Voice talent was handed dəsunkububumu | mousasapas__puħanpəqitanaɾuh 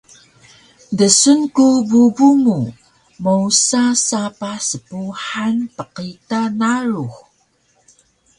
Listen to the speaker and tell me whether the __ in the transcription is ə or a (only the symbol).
ə